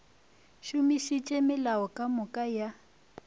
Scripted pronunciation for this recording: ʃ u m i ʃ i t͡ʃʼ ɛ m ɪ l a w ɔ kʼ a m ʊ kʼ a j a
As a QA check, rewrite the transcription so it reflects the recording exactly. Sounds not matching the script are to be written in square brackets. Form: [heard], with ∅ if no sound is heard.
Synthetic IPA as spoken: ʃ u m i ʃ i t͡ʃʼ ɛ m ɪ l a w ɔ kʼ a m ʊ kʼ a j a

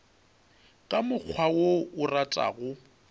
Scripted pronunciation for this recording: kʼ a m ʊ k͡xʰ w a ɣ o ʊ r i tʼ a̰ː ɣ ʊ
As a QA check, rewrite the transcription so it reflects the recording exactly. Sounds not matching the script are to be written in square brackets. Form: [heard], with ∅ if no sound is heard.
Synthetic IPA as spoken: kʼ a m ʊ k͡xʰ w a [w] o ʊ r [a] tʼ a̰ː ɣ ʊ

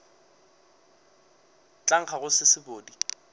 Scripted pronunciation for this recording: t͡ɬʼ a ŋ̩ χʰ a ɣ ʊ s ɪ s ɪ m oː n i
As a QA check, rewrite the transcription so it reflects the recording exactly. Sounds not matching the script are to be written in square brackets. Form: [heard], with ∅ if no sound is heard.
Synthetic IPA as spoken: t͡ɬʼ a ŋ̩ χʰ a ɣ ʊ s ɪ s ɪ [b] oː [d] i

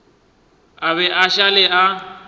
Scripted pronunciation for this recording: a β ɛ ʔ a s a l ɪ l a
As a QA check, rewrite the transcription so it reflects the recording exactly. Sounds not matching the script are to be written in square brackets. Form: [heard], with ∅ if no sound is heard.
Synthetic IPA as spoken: a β ɛ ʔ a [ʃ] a l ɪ [∅] a

